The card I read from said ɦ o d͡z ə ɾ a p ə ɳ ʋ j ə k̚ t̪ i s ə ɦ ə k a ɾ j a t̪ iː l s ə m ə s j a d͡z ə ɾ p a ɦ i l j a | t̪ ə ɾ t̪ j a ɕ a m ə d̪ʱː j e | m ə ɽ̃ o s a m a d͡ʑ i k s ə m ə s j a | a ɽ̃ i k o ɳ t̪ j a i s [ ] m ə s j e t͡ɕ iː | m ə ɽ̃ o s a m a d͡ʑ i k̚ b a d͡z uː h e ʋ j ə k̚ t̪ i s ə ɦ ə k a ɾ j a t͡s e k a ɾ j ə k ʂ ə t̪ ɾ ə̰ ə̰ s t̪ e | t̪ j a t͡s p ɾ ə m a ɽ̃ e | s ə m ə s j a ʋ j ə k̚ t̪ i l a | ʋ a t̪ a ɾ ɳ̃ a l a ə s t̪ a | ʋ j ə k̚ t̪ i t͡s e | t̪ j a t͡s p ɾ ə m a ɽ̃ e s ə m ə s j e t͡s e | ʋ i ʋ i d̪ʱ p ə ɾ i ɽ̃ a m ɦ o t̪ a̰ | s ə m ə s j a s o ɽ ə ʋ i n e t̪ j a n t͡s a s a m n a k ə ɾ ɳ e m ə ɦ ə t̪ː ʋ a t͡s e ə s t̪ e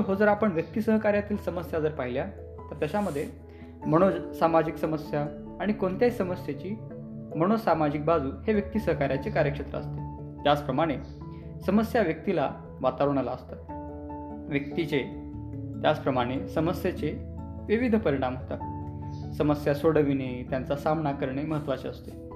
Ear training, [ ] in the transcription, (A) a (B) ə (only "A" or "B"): B